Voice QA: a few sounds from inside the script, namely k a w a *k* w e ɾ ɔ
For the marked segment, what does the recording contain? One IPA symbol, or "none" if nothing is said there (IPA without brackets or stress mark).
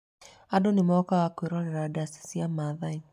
k